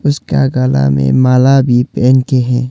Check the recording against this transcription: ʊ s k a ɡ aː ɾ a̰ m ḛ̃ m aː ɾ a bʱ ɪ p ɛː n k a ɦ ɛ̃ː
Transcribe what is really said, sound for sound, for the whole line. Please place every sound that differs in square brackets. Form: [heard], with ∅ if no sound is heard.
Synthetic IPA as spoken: ʊ s k a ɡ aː [l] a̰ m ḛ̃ m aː [l] a bʱ [i] p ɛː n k [e] ɦ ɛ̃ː